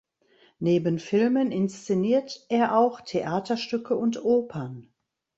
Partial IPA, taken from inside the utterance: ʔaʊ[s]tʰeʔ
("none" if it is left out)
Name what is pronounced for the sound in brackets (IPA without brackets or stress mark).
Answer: x